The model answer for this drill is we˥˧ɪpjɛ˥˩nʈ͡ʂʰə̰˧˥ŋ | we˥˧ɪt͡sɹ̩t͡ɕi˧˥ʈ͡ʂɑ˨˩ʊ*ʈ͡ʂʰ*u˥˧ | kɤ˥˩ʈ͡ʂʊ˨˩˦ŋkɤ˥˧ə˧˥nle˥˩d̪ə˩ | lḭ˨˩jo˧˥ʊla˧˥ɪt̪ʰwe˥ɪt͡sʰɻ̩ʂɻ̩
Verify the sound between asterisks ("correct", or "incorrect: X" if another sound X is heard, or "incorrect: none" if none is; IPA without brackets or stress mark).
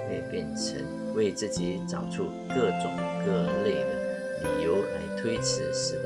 correct